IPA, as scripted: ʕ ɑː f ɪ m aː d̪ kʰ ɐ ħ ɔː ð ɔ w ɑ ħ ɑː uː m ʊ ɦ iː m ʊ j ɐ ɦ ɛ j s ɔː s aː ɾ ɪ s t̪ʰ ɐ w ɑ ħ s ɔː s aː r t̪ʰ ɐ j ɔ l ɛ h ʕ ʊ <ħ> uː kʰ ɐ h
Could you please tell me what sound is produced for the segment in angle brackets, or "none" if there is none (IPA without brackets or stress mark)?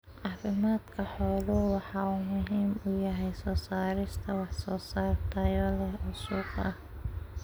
s